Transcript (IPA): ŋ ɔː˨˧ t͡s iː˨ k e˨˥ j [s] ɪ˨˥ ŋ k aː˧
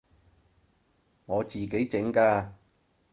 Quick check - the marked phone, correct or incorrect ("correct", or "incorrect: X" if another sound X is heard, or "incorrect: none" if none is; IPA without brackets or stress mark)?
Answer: incorrect: t͡s